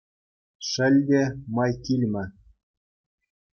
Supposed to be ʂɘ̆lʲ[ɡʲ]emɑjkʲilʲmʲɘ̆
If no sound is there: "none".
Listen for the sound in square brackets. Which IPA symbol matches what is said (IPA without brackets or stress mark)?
dʲ